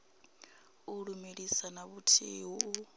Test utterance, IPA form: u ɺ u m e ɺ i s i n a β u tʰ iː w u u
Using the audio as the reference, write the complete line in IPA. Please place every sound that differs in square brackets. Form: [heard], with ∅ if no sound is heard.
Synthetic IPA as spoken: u ɺ u m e ɺ i s [a] n a β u tʰ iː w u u